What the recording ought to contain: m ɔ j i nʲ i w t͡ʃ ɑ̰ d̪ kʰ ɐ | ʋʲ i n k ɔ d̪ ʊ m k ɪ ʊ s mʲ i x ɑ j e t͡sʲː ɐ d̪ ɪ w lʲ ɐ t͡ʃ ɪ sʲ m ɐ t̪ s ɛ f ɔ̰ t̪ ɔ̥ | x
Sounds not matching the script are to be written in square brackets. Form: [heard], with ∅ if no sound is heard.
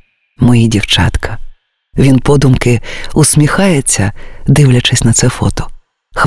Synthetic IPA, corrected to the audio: m ɔ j i [dʲ] i w t͡ʃ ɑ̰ [t̪] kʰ ɐ | ʋʲ i n [p] ɔ d̪ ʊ m k ɪ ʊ s mʲ i x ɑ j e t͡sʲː ɐ d̪ ɪ w lʲ ɐ t͡ʃ ɪ sʲ [n] ɐ t̪ s ɛ f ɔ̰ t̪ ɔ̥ | x